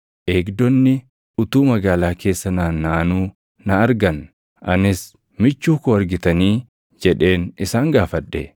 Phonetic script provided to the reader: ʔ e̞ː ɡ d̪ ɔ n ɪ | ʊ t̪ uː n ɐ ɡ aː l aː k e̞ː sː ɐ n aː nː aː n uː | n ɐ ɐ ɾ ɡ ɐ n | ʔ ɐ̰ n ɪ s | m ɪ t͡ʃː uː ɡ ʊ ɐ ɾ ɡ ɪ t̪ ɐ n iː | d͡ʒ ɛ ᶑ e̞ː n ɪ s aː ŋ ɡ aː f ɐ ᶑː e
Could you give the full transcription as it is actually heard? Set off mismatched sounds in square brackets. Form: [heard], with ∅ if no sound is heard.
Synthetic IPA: ʔ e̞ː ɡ d̪ ɔ [nː] ɪ | ʊ t̪ uː [m] ɐ ɡ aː l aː k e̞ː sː ɐ n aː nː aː n uː | n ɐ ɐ ɾ ɡ ɐ n | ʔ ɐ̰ n ɪ s | m ɪ t͡ʃː uː [k] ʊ ɐ ɾ ɡ ɪ t̪ ɐ n iː | d͡ʒ ɛ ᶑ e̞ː n ɪ s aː ŋ ɡ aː f ɐ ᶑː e

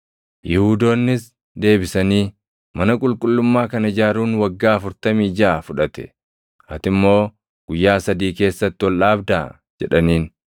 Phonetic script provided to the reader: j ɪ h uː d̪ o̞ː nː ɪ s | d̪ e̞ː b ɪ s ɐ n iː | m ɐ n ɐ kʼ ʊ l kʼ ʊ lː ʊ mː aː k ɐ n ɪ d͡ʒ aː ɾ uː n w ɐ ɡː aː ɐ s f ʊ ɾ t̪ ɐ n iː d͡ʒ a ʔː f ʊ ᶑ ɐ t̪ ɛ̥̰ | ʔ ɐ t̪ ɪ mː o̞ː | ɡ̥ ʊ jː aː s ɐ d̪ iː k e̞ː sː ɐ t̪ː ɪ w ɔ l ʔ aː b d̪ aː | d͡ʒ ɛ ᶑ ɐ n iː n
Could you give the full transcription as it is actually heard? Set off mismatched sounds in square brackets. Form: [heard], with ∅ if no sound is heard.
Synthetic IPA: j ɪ h uː d̪ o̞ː nː ɪ s | d̪ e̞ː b ɪ s ɐ n iː | m ɐ n ɐ kʼ ʊ l kʼ ʊ lː ʊ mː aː k ɐ n ɪ d͡ʒ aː ɾ uː n w ɐ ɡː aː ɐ [∅] f ʊ ɾ t̪ ɐ [m] iː d͡ʒ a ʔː f ʊ ᶑ ɐ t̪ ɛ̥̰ | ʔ ɐ t̪ ɪ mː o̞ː | ɡ̥ ʊ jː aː s ɐ d̪ iː k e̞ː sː ɐ t̪ː ɪ w ɔ l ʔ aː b d̪ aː | d͡ʒ ɛ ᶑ ɐ n iː n

